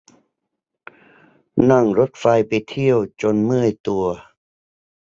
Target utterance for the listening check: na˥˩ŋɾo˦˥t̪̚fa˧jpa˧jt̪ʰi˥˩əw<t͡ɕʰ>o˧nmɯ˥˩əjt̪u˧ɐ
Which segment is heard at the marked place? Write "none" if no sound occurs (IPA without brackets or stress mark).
t͡ɕ